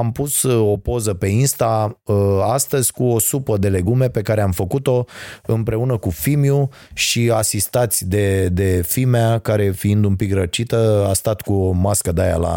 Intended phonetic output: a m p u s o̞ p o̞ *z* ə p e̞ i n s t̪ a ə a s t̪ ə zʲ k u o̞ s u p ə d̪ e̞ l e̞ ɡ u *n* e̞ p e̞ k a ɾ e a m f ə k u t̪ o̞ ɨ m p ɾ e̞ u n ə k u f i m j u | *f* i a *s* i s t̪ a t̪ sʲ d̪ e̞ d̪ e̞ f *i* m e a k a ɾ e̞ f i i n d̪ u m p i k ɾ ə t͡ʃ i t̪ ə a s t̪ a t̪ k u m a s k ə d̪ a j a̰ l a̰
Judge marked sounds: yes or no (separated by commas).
yes, no, no, yes, yes